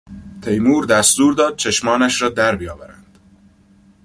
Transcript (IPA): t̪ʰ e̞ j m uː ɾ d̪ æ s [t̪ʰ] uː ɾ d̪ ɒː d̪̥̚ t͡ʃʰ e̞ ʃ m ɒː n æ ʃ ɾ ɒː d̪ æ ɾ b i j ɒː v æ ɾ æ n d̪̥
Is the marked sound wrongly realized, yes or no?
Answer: yes